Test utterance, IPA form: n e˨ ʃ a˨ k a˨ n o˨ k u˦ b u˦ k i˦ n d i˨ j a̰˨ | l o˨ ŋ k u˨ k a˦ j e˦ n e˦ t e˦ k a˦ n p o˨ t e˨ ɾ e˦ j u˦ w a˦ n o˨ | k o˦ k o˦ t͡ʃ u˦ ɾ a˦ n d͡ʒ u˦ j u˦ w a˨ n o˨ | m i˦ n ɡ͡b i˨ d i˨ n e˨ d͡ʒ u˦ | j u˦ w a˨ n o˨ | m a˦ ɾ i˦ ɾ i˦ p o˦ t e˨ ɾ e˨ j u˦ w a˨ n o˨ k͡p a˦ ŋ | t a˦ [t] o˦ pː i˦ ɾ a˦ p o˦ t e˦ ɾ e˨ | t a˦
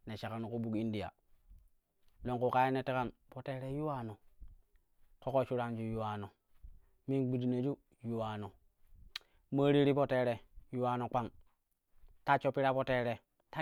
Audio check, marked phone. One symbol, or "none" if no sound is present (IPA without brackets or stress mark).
t͡ʃ